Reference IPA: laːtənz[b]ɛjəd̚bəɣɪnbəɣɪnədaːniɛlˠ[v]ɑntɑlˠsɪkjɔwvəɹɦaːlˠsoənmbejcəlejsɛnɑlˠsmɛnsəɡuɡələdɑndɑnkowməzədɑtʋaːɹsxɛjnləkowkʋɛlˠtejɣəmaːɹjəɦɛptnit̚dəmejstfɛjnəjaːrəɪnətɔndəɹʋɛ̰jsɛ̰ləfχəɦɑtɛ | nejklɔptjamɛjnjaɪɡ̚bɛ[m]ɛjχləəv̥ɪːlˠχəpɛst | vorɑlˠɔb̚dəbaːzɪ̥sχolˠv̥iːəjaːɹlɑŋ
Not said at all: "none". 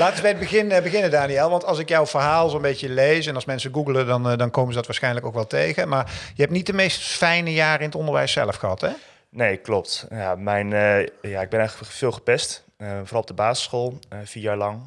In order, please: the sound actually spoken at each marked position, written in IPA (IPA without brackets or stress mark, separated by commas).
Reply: b, ʋ, n